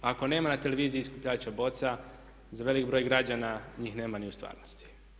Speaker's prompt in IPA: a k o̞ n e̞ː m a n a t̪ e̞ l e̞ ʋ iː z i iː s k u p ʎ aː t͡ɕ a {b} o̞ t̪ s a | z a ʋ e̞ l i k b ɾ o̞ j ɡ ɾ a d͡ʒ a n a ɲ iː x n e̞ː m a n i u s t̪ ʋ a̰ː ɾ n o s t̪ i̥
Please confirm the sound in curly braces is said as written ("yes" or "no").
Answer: yes